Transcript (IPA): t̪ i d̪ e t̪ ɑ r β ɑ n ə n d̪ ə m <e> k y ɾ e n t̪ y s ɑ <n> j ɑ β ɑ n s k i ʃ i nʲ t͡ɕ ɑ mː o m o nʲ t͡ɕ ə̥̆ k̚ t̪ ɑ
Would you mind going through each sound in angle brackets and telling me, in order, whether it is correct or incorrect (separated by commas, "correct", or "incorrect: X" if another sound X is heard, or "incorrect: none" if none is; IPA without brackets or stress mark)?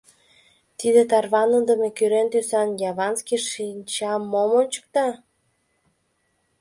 correct, correct